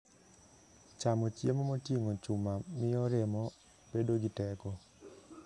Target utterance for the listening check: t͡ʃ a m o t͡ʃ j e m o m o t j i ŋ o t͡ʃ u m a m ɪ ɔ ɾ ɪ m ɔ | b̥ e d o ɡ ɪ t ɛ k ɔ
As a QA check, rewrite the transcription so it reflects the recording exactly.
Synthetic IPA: t͡ʃ a m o t͡ʃ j e m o m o t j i ŋ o t͡ʃ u m a m ɪ ɔ ɾ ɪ m ɔ | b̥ e d o ɡ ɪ t ɛ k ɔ

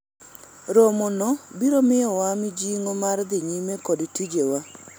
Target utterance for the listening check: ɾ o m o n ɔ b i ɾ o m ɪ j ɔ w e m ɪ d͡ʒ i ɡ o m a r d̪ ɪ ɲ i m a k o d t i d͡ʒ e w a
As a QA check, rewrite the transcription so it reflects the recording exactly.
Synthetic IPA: ɾ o m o n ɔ b i ɾ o m ɪ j ɔ w a m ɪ d͡ʒ i ŋ o m a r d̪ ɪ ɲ i m e k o d t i d͡ʒ e w a

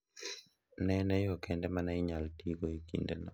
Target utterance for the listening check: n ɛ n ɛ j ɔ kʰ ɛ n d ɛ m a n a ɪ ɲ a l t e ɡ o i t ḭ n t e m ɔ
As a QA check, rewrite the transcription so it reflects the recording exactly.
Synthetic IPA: n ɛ n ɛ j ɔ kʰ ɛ n d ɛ m a n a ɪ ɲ a l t i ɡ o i k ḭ n d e n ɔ

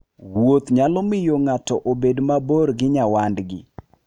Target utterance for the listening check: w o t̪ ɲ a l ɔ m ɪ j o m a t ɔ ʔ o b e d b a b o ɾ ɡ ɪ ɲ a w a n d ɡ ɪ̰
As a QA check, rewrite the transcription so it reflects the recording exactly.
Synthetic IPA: w o t̪ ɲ a l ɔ m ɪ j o ŋ a t ɔ ʔ o b e d m a b o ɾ ɡ ɪ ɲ a w a n d ɡ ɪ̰

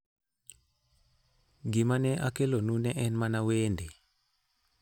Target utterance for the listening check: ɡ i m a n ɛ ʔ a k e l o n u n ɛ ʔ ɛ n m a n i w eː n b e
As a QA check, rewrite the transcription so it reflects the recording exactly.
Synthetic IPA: ɡ i m a n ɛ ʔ a k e l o n u n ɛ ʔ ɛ n m a n a w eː n d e

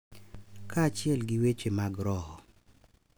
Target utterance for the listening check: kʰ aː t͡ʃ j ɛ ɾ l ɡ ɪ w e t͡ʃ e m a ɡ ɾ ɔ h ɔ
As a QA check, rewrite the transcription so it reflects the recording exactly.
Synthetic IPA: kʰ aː t͡ʃ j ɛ l ɡ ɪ w e t͡ʃ e m a ɡ ɾ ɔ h ɔ

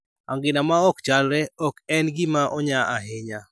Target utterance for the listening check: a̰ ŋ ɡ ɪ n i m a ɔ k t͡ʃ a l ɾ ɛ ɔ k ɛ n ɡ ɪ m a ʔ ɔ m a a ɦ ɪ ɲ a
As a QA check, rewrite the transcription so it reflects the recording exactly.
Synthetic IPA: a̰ ŋ ɡ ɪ n a m a ɔ k t͡ʃ a l ɾ ɛ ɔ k ɛ n ɡ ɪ m a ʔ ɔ ɲ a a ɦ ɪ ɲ a

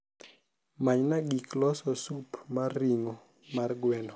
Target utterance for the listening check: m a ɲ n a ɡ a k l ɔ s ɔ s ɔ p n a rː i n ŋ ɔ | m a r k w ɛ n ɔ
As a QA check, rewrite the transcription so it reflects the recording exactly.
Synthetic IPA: m a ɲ n a ɡ i k l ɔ s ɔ s u p m a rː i ŋ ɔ | m a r ɡ w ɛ n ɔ

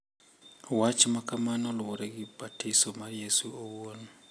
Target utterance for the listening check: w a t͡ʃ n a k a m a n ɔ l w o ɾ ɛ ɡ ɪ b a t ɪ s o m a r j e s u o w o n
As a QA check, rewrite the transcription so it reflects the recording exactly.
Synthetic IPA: w a t͡ʃ m a k a m a n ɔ l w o ɾ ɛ ɡ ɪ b a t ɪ s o m a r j e s u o w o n

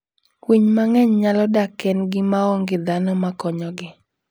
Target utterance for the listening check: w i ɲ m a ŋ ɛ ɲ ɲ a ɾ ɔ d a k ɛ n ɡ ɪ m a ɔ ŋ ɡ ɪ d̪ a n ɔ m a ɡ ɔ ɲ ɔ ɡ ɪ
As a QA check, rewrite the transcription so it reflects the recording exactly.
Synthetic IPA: w i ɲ m a ŋ ɛ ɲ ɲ a l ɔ d a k ɛ n ɡ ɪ m a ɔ ŋ ɡ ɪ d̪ a n ɔ m a k ɔ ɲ ɔ ɡ ɪ

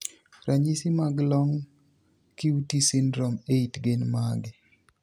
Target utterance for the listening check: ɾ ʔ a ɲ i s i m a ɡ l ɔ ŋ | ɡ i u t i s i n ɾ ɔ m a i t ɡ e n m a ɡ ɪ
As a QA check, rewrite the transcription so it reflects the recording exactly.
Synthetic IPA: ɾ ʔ a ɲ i s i m a ɡ l ɔ ŋ | k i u t i s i n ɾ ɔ m e i t ɡ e n m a ɡ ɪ

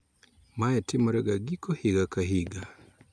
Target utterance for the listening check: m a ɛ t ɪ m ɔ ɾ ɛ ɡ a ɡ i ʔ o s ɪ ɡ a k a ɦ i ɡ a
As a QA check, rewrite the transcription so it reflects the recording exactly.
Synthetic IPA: m a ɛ t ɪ m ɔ ɾ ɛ ɡ a ɡ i k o h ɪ ɡ a k a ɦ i ɡ a

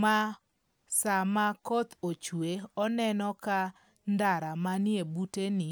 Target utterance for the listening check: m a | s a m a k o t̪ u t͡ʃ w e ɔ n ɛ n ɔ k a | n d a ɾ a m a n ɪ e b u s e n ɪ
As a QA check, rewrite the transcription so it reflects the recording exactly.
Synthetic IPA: m a | s a m a k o t̪ o t͡ʃ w e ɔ n ɛ n ɔ k a | n d a ɾ a m a n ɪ e b u t e n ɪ

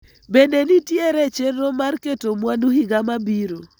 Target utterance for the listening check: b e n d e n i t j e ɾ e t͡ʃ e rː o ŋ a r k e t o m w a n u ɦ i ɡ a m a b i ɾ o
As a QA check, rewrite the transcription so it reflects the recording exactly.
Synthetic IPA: b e n d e n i t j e ɾ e t͡ʃ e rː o m a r k e t o m w a n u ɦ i ɡ a m a b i ɾ o

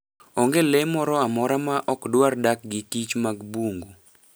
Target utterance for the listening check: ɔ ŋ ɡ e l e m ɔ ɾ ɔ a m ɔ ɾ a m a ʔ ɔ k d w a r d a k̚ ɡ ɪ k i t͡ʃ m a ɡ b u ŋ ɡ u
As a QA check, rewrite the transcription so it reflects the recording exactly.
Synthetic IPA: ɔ ŋ ɡ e l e m ɔ ɾ ɔ a m ɔ ɾ a m a ʔ ɔ k d w a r d a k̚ ɡ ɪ k i t͡ʃ m a ɡ b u ŋ ɡ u

